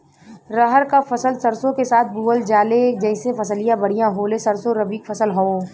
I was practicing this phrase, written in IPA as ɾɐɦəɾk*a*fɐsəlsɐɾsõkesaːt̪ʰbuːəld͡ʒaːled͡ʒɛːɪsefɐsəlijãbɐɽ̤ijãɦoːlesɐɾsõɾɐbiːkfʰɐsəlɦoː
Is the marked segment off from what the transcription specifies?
no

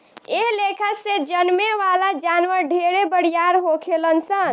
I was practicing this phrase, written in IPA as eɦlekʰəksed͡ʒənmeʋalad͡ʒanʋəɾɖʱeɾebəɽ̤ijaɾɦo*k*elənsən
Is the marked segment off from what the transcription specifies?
yes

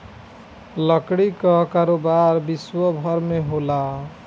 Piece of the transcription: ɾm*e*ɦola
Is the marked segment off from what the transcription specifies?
no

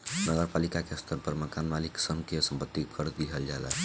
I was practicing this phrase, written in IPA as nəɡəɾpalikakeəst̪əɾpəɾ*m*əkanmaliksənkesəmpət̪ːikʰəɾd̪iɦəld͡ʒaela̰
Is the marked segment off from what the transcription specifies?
no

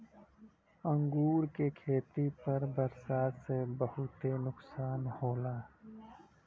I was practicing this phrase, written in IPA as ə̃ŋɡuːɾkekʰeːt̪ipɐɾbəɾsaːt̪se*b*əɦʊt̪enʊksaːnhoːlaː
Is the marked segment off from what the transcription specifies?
no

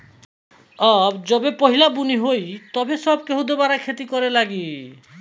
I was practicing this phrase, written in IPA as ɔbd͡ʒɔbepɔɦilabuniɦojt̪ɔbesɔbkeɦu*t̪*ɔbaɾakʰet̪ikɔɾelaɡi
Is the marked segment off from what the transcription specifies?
yes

